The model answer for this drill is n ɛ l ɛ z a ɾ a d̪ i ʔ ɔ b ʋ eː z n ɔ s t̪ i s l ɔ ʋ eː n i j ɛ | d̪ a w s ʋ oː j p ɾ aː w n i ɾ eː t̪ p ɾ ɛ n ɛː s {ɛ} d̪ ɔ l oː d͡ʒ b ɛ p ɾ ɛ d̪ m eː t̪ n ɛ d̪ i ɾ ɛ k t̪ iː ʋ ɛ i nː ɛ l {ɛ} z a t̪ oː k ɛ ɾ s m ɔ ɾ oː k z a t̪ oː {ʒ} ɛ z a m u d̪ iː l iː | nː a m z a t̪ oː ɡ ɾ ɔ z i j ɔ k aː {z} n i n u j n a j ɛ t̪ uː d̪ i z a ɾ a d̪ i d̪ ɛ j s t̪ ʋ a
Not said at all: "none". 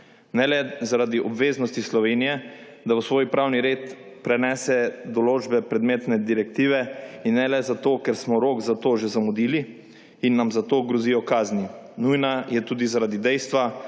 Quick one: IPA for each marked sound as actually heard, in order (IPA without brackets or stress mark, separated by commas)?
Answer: ɛ, ɛ, ʒ, z